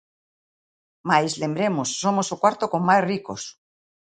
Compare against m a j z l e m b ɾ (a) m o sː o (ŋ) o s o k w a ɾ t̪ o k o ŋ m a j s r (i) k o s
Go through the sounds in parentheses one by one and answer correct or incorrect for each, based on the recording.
incorrect, incorrect, correct

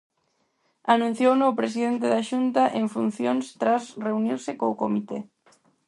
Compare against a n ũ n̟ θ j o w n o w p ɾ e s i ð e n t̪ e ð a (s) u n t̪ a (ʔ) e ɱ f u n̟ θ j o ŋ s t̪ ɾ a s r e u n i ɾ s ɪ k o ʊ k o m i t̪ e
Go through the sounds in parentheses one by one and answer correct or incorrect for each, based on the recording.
incorrect, correct

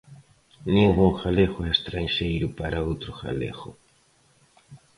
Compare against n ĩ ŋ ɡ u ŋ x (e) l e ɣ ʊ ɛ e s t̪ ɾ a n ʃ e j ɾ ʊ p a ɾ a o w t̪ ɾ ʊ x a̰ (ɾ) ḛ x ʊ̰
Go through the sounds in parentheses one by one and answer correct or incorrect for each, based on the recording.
incorrect, incorrect

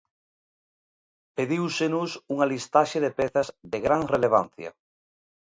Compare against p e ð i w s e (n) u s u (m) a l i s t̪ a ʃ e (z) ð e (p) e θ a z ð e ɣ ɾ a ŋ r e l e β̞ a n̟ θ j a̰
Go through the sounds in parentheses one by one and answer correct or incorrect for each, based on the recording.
correct, incorrect, incorrect, correct

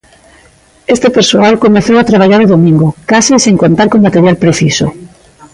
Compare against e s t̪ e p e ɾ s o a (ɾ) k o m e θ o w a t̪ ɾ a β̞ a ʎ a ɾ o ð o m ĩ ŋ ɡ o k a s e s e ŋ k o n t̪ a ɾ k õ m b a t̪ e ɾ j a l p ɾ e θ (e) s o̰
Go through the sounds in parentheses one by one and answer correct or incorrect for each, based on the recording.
incorrect, incorrect

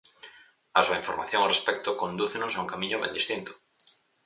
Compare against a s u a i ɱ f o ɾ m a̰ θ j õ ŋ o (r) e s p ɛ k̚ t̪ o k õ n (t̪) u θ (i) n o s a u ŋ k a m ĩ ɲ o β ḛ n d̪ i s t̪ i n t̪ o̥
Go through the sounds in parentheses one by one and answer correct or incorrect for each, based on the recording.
correct, incorrect, incorrect

